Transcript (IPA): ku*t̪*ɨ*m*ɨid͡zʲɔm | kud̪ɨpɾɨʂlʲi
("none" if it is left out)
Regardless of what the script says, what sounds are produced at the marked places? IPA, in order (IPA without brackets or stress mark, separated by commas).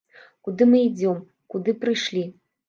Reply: d̪, m